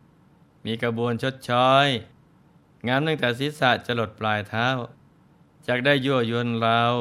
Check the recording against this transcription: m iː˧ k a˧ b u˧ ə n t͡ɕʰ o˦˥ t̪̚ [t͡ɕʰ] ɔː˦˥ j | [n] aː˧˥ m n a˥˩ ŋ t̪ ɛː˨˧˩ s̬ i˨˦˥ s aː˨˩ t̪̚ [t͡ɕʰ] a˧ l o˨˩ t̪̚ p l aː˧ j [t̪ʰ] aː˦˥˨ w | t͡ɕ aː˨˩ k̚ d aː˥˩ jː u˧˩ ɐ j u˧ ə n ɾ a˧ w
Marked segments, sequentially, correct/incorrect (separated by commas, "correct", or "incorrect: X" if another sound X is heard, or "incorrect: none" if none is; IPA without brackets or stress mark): correct, incorrect: ŋ, incorrect: t͡ɕ, correct